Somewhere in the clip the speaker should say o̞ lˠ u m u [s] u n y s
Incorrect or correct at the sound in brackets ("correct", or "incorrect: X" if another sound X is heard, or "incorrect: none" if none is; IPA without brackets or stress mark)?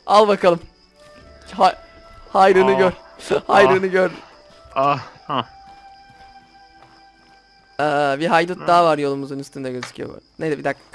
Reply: incorrect: z